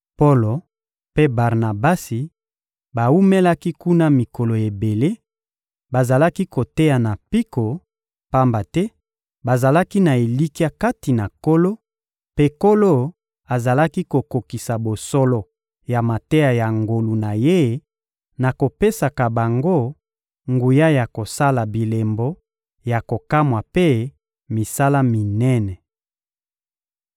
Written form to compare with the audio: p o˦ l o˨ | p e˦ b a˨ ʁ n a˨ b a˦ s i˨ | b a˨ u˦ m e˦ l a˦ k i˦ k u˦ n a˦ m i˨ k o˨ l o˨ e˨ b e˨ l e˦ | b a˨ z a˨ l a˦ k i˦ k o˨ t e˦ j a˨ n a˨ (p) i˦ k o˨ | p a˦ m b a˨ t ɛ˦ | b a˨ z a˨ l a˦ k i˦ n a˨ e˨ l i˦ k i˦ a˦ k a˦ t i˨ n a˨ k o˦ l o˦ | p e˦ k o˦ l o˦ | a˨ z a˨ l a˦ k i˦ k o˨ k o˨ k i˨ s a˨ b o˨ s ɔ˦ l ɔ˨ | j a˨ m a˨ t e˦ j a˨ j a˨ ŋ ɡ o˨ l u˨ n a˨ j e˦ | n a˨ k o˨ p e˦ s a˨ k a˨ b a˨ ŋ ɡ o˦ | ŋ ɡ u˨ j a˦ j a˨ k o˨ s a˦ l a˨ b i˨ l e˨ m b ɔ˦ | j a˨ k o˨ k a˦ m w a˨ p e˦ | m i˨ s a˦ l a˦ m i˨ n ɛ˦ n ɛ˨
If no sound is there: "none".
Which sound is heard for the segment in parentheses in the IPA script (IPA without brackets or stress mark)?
p